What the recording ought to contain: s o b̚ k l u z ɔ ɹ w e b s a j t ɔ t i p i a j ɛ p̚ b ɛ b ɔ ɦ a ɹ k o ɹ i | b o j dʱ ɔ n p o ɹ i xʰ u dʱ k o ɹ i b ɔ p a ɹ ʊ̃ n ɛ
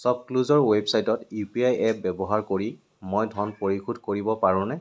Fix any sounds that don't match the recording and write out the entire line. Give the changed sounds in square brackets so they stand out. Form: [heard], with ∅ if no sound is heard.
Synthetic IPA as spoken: s [ɔ] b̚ k l u z ɔ ɹ w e b s a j t ɔ t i p i a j ɛ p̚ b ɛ b ɔ ɦ a ɹ k o ɹ i | [m] o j dʱ ɔ n p o ɹ i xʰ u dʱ k o ɹ i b ɔ p a ɹ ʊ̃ n ɛ